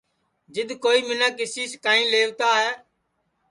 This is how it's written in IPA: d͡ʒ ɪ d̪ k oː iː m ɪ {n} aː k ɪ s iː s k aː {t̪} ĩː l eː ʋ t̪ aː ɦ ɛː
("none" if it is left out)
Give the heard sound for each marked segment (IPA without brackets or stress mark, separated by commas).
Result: n, none